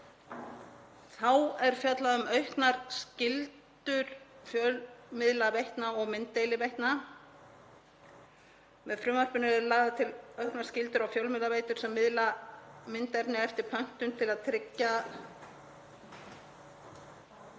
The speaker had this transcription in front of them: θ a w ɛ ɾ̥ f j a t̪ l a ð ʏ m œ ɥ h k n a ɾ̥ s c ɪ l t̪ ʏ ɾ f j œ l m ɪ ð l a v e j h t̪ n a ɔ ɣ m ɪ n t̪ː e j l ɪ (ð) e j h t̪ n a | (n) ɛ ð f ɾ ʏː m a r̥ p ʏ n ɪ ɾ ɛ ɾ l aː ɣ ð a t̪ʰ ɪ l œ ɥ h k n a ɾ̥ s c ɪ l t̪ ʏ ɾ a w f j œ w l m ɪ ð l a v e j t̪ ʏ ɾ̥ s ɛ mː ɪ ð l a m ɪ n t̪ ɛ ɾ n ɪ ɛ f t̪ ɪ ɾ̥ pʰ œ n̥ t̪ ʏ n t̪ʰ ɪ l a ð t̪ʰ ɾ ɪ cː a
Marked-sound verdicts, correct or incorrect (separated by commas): incorrect, incorrect